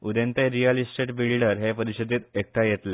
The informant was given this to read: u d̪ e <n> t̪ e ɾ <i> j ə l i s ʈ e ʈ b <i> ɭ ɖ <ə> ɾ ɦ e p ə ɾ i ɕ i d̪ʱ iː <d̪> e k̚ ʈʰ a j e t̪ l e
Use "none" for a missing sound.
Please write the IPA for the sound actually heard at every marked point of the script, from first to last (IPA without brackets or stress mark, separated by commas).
n, i, i, ə, t̪